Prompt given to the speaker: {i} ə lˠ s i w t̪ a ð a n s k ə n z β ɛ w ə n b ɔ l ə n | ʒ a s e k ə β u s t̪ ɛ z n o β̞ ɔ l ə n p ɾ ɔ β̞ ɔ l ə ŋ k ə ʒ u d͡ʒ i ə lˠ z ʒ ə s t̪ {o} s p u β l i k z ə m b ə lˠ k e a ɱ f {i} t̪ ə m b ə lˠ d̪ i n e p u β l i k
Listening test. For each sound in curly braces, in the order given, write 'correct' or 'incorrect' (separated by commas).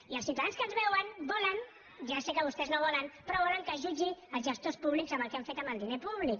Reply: correct, correct, incorrect